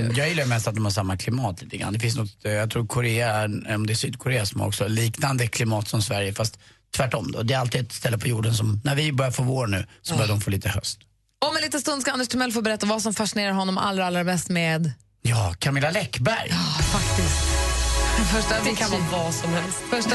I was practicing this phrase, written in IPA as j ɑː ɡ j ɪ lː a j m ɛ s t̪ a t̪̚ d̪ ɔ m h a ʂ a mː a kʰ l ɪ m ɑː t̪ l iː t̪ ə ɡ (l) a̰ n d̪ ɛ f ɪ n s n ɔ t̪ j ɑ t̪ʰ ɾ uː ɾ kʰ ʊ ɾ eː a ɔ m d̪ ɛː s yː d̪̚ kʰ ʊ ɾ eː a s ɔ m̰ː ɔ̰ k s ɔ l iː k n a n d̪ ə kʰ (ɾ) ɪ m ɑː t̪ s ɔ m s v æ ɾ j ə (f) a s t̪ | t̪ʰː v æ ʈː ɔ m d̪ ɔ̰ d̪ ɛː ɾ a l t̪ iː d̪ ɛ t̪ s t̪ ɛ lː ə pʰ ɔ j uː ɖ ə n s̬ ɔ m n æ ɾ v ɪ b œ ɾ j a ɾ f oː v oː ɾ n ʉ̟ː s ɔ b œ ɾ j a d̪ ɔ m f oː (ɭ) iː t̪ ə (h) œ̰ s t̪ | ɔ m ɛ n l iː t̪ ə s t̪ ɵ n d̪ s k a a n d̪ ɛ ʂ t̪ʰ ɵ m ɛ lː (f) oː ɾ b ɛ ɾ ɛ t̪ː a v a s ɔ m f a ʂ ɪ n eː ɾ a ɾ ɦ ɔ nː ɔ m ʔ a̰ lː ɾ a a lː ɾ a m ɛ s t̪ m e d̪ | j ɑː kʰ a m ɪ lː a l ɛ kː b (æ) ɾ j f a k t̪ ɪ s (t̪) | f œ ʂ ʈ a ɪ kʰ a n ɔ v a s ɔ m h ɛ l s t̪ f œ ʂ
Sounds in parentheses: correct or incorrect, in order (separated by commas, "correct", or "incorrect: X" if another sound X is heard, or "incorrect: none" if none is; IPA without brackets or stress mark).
incorrect: ɾ, incorrect: l, correct, incorrect: l, correct, correct, correct, correct